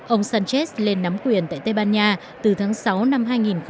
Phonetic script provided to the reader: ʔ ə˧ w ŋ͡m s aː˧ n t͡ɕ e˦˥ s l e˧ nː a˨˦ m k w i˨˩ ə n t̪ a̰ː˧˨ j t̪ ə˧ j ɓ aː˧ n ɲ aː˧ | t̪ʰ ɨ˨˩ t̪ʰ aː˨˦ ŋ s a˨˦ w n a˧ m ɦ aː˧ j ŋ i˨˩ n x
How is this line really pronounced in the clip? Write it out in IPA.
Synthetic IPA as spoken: ʔ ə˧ w ŋ͡m s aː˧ n t͡ɕ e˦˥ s l e˧ nː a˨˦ m k w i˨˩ ə n t̪ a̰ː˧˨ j t̪ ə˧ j ɓ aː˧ n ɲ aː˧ | t̪ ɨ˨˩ t̪ʰ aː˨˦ ŋ s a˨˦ w n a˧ m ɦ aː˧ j ŋ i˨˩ n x

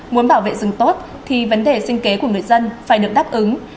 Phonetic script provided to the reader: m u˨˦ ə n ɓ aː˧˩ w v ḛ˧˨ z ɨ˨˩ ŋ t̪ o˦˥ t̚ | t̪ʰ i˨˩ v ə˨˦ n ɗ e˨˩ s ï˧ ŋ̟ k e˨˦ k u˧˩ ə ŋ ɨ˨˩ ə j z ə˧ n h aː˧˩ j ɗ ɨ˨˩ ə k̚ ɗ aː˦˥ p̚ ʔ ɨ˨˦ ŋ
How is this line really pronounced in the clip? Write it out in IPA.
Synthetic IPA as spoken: m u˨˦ ə n ɓ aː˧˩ w v ḛ˧˨ z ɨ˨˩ ŋ t̪ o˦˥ t̚ | t̪ʰ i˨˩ v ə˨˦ n ɗ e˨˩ s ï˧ ŋ̟ k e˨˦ k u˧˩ ə ŋ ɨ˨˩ ə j z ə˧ n f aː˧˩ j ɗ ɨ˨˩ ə k̚ ɗ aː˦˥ p̚ ʔ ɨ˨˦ ŋ

